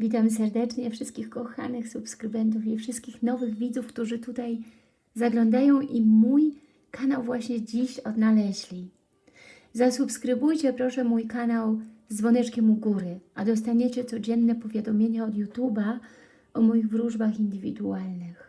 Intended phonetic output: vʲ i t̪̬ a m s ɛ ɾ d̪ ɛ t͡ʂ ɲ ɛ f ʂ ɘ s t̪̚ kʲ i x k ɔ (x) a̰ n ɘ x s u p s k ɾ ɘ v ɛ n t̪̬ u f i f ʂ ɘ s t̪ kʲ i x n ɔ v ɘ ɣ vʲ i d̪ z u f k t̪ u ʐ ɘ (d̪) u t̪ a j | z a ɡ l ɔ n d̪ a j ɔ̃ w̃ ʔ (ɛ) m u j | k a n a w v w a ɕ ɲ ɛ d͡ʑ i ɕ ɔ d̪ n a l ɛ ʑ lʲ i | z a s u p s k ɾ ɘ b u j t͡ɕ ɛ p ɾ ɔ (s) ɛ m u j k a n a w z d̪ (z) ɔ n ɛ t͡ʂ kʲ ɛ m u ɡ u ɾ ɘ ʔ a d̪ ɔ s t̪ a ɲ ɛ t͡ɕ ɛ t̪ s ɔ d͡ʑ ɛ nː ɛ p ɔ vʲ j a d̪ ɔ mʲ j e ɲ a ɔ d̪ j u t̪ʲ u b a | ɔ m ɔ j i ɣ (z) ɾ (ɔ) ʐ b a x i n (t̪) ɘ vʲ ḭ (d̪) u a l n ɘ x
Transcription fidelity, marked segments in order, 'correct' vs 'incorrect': correct, incorrect, incorrect, incorrect, incorrect, incorrect, incorrect, incorrect, correct

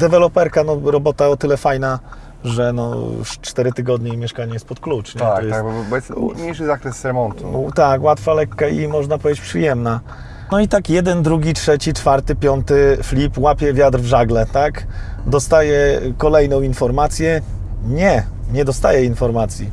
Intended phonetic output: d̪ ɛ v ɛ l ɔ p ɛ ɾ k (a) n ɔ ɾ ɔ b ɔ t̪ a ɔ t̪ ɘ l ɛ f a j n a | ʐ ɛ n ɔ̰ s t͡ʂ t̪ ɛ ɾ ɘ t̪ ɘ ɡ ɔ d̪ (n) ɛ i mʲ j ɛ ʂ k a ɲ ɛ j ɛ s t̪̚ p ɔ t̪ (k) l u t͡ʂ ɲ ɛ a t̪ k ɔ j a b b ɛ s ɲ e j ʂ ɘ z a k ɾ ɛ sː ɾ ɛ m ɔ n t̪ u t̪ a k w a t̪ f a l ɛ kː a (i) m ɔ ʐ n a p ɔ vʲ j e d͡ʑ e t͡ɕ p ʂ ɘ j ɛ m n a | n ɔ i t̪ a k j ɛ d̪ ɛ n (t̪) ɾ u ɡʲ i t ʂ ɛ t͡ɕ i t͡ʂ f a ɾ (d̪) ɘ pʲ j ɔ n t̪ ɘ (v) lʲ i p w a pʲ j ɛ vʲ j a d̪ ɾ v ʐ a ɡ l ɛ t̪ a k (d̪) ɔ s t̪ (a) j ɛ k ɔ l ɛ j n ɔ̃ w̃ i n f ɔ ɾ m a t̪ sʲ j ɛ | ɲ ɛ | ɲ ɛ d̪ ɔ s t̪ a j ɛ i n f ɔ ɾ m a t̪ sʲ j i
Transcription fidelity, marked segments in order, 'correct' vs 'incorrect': correct, incorrect, correct, correct, incorrect, incorrect, incorrect, correct, correct

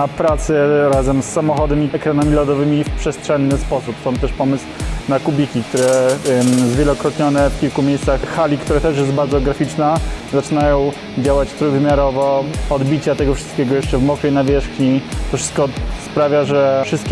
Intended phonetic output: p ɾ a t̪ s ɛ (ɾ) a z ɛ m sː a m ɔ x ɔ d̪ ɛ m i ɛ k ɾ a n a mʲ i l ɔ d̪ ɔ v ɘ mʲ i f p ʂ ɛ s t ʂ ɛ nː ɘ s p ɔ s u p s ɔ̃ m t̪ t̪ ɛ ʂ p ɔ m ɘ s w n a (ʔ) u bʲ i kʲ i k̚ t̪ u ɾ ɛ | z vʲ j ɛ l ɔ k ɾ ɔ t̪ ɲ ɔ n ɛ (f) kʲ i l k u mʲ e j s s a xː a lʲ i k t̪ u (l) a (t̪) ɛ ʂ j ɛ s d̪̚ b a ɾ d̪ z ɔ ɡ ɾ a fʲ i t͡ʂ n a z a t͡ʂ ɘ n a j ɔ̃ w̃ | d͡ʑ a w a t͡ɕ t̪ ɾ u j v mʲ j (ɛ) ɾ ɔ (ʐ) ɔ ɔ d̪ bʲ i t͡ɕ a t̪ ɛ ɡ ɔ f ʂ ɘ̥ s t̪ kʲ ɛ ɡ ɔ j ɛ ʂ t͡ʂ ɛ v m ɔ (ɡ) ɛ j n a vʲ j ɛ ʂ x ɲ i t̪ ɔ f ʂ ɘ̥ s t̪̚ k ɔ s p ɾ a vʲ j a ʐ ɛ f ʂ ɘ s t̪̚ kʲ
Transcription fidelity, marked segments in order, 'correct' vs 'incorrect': correct, incorrect, correct, incorrect, correct, incorrect, incorrect, incorrect

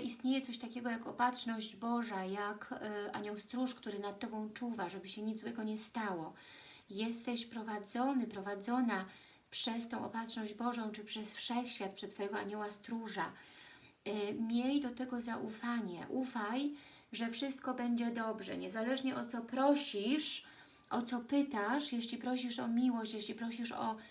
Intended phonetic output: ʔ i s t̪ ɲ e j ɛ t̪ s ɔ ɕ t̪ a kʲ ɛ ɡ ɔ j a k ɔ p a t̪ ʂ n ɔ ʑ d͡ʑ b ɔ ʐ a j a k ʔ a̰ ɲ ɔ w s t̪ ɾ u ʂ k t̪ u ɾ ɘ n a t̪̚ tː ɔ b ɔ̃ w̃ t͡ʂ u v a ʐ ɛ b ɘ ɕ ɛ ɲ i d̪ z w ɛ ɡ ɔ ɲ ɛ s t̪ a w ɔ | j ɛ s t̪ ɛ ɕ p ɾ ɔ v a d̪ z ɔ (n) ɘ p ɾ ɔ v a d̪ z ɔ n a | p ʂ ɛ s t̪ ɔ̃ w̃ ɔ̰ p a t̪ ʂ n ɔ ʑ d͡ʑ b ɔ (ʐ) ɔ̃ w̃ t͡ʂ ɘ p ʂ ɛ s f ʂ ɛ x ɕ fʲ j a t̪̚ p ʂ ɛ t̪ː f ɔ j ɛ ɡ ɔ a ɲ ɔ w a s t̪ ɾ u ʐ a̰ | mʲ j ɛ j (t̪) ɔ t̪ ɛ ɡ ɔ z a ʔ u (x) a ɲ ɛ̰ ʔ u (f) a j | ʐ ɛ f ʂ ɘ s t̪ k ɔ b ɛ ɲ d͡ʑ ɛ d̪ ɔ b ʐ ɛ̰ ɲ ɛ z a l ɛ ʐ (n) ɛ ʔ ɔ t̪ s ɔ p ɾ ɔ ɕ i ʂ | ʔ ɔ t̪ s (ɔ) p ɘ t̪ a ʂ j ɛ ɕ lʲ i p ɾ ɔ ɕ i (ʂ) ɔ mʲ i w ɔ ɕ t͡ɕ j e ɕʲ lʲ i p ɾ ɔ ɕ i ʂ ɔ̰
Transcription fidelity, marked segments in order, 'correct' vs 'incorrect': correct, correct, incorrect, incorrect, correct, incorrect, correct, correct

